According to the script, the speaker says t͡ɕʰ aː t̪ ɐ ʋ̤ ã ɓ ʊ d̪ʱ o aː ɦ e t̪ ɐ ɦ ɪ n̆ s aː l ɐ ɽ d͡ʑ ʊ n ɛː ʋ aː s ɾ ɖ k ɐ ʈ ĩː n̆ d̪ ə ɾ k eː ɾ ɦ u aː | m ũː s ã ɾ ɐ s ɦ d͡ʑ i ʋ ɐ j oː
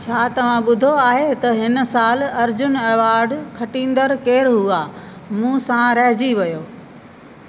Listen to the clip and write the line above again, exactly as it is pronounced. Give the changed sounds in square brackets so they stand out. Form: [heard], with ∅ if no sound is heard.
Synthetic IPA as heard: t͡ɕʰ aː t̪ ɐ ʋ̤ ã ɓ ʊ d̪ʱ o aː ɦ e t̪ ɐ ɦ ɪ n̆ s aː l ɐ [ɾ] d͡ʑ ʊ n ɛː ʋ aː [∅] ɾ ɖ [kʰ] ɐ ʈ ĩː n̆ d̪ ə ɾ k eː ɾ ɦ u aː | m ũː s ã ɾ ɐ [∅] ɦ d͡ʑ i ʋ ɐ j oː